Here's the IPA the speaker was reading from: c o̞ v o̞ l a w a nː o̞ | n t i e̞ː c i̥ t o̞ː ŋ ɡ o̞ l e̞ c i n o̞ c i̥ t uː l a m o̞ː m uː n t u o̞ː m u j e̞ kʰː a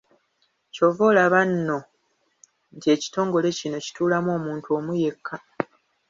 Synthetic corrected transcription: c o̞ v o̞ l a β a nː o̞ | n t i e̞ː c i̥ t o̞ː ŋ ɡ o̞ l e̞ c i n o̞ c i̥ t uː l a m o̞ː m uː n t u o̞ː m u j e̞ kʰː a